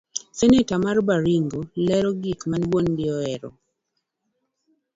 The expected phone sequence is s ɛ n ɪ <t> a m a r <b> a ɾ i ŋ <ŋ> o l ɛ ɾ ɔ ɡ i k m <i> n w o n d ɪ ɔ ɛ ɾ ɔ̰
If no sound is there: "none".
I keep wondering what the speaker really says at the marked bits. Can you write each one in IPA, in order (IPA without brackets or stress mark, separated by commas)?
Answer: t, b, ɡ, a